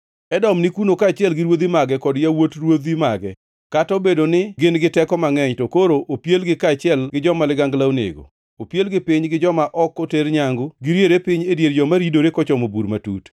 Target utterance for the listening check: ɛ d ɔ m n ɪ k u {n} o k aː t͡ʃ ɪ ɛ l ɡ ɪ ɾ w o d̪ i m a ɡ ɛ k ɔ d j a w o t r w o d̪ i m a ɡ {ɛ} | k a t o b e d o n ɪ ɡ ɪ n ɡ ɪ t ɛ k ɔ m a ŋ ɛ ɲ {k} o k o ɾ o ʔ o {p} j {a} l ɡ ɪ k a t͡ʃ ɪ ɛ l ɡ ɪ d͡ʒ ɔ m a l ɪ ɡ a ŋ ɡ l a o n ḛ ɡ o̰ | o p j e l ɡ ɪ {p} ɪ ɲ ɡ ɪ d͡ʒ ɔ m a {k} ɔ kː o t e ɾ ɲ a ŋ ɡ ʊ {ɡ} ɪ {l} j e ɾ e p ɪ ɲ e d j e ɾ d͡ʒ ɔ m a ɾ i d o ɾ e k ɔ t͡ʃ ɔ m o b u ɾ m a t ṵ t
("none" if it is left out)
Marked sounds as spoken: n, ɛ, t, p, e, p, ʔ, ɡ, ɾ

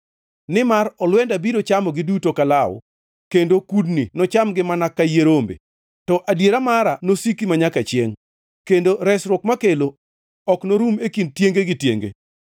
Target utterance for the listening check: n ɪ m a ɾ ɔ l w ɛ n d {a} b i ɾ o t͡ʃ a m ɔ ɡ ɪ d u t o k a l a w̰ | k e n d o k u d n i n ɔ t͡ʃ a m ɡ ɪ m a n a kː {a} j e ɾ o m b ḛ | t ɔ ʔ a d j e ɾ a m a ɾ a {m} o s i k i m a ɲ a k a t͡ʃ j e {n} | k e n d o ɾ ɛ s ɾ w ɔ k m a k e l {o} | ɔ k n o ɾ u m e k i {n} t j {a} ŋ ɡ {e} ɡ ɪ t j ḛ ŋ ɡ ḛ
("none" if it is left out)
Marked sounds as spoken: a, a, n, ŋ, o, n, e, e

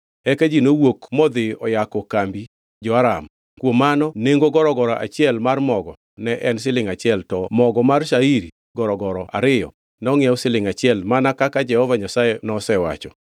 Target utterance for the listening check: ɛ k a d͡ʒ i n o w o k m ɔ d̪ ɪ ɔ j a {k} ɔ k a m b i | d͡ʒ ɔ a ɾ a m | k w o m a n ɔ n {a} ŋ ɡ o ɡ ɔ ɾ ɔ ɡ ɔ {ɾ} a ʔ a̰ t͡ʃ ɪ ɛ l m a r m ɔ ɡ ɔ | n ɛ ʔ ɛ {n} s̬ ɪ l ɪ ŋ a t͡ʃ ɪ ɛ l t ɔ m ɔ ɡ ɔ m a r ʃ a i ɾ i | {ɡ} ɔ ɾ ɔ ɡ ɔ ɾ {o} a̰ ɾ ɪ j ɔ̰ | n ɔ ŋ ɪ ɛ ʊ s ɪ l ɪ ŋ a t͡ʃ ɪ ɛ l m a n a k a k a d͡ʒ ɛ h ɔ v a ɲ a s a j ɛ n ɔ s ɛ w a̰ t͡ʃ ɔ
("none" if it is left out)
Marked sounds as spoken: k, e, ɾ, n, ɡ, ɔ

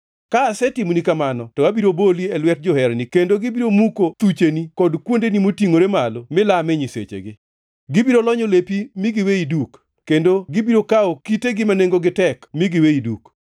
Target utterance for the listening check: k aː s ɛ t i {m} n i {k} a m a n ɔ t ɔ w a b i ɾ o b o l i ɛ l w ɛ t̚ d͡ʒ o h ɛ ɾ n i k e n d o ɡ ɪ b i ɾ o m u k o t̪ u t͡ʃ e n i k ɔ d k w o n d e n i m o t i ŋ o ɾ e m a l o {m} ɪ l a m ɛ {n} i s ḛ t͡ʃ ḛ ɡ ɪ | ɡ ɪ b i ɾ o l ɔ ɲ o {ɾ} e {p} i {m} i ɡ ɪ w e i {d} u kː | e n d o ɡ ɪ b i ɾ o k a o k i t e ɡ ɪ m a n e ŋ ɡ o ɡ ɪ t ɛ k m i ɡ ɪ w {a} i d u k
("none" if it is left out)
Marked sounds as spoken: m, k, m, ɲ, l, p, m, d, e

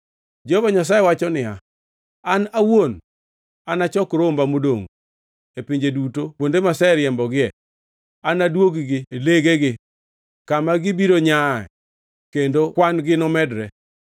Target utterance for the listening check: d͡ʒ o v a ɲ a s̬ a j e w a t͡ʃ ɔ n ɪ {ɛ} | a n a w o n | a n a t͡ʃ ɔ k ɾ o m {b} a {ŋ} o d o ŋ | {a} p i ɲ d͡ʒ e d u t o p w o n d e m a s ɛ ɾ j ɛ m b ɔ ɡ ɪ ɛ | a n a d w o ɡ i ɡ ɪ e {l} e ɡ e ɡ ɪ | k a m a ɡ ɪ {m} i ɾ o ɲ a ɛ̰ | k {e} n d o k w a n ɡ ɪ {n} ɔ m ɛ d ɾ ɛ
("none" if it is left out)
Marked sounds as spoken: a, b, m, e, l, b, e, n

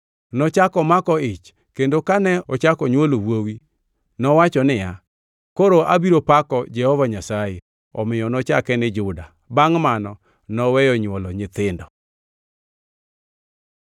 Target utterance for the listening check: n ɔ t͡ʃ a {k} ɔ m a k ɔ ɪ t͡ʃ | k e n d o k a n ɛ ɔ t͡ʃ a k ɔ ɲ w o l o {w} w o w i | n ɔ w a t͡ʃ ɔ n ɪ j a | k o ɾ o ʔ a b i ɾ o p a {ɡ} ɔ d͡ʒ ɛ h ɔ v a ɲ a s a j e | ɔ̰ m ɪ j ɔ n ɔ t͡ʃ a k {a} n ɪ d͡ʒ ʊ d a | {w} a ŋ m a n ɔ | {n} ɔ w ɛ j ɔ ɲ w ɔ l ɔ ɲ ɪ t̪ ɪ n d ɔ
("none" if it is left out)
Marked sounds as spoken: k, w, k, ɛ, b, n

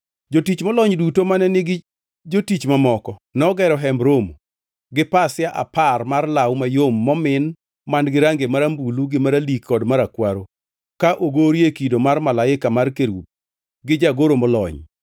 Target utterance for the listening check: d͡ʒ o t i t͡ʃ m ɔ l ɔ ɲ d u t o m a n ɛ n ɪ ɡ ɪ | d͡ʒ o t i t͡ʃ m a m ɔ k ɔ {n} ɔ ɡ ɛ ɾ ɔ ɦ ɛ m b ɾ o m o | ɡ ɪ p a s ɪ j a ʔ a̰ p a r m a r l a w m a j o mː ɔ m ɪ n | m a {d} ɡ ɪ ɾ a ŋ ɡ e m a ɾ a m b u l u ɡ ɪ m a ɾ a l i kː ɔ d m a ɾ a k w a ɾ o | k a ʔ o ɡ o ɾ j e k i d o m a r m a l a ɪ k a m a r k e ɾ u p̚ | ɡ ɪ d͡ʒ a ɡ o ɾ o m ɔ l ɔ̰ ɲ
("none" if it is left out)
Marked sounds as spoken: n, n

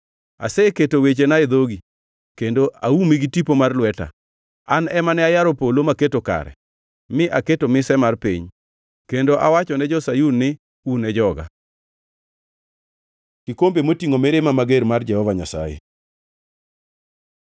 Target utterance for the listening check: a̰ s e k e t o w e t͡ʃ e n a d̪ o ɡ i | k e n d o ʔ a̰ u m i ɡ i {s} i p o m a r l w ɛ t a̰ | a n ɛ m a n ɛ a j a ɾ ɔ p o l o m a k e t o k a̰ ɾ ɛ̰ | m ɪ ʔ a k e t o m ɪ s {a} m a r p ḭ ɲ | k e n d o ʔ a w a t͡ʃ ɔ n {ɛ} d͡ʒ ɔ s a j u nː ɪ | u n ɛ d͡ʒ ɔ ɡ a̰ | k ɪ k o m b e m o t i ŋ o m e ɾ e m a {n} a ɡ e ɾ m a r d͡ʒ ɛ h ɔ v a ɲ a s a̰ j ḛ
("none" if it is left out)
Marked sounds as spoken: t, ɛ, ɛ, m

